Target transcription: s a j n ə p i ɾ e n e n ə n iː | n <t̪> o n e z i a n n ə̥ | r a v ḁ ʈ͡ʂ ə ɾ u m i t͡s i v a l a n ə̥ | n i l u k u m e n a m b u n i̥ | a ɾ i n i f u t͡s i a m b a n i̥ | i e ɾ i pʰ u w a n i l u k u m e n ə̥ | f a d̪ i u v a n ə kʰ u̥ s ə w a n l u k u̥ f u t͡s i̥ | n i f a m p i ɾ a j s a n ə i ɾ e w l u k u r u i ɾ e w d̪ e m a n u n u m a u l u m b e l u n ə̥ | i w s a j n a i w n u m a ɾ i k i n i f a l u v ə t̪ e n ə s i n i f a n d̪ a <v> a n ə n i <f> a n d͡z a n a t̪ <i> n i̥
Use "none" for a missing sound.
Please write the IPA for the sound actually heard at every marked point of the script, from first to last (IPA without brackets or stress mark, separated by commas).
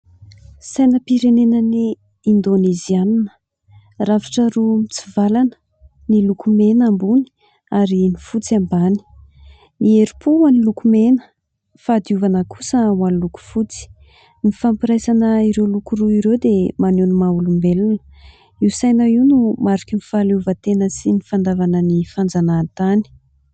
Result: d̪, v, f, a